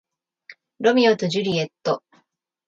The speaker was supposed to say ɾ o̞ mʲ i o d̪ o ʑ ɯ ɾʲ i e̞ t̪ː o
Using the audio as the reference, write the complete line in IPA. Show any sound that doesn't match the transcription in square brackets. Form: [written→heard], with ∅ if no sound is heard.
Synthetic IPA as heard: ɾ o̞ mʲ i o [d̪→t̪] o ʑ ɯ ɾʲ i e̞ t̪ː o